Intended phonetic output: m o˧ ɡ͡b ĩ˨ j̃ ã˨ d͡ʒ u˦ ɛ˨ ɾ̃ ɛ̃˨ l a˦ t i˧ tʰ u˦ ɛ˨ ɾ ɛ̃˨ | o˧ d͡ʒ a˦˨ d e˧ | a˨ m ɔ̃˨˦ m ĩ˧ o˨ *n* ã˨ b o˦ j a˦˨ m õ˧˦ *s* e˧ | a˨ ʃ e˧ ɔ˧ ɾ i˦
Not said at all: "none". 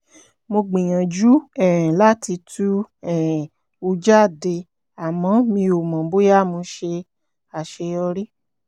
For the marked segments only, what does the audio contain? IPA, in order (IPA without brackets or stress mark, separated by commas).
m, ʃ